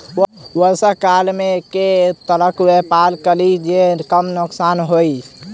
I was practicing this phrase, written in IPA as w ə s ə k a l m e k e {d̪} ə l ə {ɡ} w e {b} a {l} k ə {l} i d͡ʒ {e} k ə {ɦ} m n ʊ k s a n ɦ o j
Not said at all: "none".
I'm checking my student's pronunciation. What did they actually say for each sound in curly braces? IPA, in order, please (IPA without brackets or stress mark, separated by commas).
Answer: t̪, k, p, l, l, e, none